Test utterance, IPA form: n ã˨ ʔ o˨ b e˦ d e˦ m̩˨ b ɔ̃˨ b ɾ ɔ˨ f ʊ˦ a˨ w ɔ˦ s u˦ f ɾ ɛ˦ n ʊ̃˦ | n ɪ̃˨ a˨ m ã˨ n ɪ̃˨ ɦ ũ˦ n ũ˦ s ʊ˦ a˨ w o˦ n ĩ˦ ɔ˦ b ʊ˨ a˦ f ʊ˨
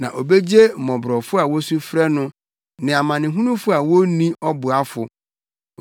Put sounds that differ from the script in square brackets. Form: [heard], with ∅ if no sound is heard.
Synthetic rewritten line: n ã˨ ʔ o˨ b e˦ [d͡ʑ] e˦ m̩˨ [m] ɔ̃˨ b ɾ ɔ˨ f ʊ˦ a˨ w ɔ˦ s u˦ f ɾ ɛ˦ n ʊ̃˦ | n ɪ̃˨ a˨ m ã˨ n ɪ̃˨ ɦ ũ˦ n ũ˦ [f] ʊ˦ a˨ w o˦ n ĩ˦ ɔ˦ b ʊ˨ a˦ f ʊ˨